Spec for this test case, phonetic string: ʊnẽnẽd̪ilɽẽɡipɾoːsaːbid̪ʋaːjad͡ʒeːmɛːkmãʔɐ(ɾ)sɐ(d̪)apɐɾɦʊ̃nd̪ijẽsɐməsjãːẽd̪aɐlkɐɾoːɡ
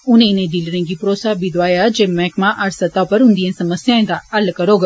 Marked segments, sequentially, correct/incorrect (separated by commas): correct, incorrect